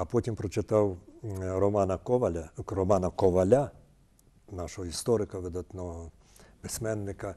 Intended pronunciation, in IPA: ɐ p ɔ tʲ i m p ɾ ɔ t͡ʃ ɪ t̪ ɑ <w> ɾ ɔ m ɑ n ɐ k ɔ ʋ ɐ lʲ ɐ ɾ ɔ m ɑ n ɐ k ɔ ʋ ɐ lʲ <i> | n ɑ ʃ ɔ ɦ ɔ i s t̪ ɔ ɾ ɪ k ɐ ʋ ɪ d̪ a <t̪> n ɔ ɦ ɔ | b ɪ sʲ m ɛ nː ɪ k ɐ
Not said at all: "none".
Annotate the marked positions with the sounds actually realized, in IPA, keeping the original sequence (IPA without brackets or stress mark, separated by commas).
w, a, t̪